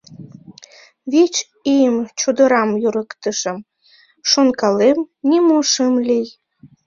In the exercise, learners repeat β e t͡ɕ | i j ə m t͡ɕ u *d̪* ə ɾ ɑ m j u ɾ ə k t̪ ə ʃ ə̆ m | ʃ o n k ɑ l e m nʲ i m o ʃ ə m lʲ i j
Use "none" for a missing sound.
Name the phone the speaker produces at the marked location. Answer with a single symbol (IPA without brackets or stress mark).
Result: d̪